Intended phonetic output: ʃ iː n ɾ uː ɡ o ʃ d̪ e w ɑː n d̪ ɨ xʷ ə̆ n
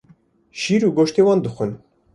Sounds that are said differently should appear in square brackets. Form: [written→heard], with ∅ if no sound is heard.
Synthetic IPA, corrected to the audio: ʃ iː [n→∅] ɾ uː ɡ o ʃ [d̪→t̪] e w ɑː n d̪ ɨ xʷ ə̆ n